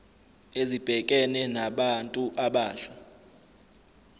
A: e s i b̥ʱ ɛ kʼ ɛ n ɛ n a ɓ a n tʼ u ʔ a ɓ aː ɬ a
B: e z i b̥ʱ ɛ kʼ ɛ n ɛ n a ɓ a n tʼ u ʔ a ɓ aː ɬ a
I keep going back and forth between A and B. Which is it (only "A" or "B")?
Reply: B